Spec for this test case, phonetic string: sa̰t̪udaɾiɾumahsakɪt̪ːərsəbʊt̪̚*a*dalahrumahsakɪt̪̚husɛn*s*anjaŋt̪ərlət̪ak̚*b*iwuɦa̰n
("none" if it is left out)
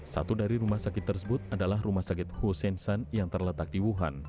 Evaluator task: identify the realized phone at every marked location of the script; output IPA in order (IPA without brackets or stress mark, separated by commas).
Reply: a, s, d